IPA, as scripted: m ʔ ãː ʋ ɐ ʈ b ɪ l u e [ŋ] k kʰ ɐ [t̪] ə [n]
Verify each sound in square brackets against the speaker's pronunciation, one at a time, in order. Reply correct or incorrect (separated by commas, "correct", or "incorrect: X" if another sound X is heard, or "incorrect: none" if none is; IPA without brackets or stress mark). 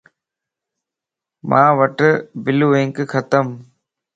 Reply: correct, correct, incorrect: m